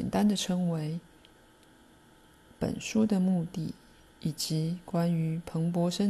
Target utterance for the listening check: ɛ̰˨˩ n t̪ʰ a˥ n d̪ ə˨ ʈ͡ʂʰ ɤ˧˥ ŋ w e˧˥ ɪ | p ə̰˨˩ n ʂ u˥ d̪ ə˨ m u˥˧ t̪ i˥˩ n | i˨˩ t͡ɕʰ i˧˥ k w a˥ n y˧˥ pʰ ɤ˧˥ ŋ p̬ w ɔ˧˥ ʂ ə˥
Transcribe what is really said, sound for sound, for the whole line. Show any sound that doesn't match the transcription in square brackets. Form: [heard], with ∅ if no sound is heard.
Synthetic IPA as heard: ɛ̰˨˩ n [t̪] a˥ n d̪ ə˨ ʈ͡ʂʰ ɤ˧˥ ŋ w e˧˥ ɪ | p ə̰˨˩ n ʂ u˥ d̪ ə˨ m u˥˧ t̪ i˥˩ [∅] | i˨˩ [t͡ɕ] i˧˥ k w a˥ n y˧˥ pʰ ɤ˧˥ ŋ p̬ w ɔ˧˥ ʂ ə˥